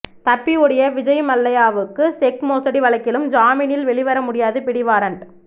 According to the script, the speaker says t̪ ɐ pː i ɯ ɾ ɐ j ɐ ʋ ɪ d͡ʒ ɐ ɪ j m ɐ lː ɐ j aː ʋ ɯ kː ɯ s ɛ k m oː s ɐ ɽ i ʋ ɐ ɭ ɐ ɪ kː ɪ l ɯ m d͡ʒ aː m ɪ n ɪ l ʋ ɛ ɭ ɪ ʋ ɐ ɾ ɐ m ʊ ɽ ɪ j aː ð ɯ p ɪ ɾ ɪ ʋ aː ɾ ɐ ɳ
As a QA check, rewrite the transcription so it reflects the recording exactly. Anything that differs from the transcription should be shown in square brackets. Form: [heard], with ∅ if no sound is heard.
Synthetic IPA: t̪ ɐ pː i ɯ [ɽ] ɐ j ɐ ʋ ɪ d͡ʒ ɐ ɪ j m ɐ lː ɐ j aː ʋ ɯ kː ɯ s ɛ k m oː s ɐ ɽ i ʋ ɐ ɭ ɐ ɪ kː ɪ l ɯ m d͡ʒ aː m ɪ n ɪ l ʋ ɛ ɭ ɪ ʋ ɐ ɾ ɐ m ʊ ɽ ɪ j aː ð ɯ p ɪ [ɽ] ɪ ʋ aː ɾ ɐ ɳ